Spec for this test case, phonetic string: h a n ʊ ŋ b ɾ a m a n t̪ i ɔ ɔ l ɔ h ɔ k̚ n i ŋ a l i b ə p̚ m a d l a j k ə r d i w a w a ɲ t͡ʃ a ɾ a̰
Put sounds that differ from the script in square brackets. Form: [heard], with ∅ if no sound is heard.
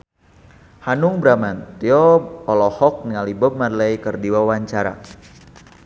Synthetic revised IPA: h a n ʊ ŋ b ɾ a m a n t̪ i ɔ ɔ l ɔ h ɔ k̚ n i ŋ a l i b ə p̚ m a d l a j k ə r d i w a w a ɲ t͡ʃ a ɾ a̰